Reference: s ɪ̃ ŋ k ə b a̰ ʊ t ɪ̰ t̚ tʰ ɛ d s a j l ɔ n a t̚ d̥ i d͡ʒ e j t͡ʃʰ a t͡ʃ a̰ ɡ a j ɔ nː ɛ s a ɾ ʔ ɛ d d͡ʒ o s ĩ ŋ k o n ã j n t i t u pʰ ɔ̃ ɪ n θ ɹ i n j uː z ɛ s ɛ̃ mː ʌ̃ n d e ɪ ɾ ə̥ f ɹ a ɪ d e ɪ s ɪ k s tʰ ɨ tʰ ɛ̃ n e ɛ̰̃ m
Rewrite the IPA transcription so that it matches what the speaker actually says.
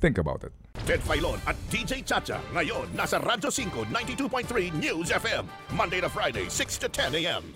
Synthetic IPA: θ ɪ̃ ŋ k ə b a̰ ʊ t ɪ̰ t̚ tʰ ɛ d f a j l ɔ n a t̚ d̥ i d͡ʒ e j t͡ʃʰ a t͡ʃ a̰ ŋ a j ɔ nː a s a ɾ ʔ a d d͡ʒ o s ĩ ŋ k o n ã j n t i t u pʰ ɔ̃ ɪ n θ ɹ i n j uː z ɛ f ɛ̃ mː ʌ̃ n d e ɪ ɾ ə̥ f ɹ a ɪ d e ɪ s ɪ k s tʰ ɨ tʰ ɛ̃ n e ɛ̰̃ m